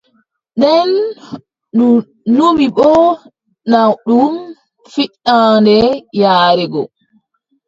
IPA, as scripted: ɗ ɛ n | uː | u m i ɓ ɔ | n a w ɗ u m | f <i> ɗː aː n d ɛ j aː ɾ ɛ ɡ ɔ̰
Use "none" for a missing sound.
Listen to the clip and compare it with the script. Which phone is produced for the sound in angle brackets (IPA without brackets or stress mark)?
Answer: i